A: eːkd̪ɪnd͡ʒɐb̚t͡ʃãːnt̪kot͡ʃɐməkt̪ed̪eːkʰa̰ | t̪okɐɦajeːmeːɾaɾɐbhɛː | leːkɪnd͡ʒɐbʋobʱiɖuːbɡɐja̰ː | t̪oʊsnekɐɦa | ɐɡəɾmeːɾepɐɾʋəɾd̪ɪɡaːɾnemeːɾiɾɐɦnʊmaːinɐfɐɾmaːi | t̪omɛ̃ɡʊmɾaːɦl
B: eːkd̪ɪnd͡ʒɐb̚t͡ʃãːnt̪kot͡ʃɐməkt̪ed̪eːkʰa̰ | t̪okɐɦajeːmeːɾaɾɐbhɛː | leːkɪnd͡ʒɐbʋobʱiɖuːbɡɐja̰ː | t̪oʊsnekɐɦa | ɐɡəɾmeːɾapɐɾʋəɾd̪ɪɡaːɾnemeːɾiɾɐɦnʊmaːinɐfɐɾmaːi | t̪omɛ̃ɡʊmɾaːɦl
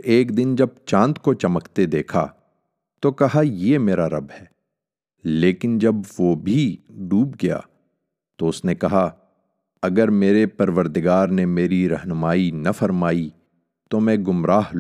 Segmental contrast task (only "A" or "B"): A